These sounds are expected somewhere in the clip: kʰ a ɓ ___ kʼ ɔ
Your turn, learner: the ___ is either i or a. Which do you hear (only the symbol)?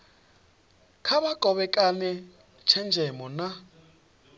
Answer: a